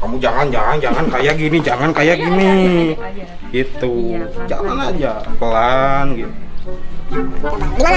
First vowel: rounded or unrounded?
unrounded